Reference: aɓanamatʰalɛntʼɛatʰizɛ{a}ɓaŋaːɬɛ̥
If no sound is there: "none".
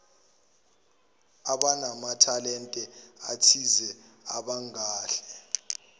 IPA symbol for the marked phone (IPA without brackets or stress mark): a